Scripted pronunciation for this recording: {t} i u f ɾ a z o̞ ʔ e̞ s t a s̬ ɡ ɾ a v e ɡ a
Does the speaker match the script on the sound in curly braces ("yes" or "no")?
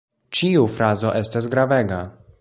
no